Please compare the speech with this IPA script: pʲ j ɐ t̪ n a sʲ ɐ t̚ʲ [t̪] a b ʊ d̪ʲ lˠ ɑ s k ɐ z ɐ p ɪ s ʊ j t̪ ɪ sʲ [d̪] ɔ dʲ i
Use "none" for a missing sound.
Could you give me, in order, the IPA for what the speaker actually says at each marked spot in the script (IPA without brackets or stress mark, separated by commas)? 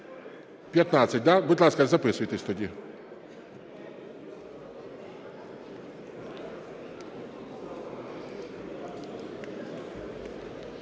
d̪, t̪